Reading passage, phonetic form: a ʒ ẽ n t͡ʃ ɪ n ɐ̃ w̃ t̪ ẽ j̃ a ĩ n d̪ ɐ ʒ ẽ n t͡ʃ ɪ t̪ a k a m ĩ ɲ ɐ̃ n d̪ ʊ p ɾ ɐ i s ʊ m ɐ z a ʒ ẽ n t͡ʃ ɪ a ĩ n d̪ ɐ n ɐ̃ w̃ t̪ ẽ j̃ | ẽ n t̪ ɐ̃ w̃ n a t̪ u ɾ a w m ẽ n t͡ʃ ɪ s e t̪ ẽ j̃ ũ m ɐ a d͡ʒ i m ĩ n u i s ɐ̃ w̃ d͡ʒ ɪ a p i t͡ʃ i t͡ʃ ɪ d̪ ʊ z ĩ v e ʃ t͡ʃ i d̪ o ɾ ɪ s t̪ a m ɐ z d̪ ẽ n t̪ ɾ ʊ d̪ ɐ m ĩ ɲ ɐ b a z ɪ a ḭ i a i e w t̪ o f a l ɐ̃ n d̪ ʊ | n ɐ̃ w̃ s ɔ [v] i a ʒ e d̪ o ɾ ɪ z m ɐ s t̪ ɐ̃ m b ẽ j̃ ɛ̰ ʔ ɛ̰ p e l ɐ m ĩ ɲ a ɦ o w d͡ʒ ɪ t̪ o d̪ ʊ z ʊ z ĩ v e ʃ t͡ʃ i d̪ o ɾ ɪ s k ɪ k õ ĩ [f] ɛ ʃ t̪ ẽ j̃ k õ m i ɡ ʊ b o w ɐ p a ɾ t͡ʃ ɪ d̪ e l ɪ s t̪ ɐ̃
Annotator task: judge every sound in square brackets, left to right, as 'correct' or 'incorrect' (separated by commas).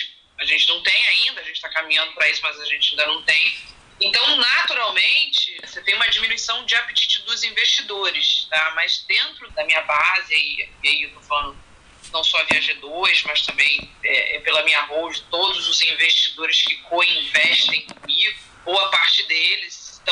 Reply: correct, incorrect